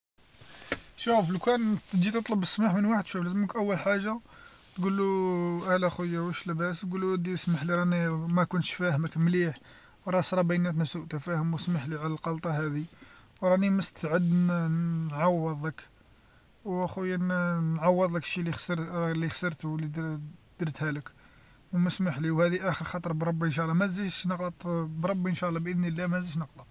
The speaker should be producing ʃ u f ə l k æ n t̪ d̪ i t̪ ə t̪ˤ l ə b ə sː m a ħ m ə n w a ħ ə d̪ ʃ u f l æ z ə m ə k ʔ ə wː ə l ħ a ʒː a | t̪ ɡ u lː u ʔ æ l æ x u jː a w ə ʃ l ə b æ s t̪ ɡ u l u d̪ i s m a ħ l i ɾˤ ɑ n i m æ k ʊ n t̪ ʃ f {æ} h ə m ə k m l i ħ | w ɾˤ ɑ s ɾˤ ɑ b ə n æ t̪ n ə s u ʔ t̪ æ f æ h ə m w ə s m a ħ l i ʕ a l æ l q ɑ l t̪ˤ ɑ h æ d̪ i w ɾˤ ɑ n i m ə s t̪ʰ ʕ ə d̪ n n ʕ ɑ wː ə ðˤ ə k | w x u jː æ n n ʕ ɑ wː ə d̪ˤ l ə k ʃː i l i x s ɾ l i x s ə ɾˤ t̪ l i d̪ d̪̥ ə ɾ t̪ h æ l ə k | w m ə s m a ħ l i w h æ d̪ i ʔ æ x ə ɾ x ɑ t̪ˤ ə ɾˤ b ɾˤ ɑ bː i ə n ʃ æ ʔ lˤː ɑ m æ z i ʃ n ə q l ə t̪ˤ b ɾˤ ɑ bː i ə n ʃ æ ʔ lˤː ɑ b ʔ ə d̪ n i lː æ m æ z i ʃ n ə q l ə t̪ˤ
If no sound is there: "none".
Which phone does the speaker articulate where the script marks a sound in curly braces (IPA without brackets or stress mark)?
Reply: æ